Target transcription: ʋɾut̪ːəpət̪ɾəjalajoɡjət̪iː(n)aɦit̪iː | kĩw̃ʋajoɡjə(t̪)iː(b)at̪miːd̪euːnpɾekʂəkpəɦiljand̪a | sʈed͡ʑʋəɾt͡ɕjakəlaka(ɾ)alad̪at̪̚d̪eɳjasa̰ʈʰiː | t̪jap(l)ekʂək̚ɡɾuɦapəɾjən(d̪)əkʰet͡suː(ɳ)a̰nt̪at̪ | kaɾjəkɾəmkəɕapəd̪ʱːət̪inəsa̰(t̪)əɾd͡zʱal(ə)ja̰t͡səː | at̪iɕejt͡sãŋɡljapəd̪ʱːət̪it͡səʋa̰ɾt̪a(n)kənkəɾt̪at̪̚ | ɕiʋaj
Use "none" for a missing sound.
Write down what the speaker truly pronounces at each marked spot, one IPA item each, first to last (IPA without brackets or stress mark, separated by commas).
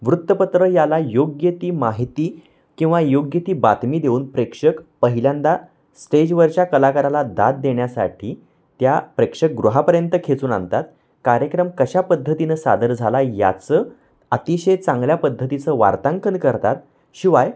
m, t̪, b, ɾ, ɾ, t̪, n, d̪, a, ŋ